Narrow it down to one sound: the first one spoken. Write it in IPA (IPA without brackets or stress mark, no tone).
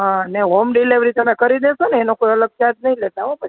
ɦ